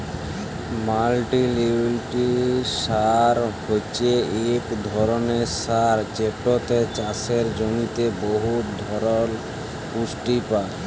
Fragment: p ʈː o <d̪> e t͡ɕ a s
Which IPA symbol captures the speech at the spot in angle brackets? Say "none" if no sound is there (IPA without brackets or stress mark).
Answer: t̪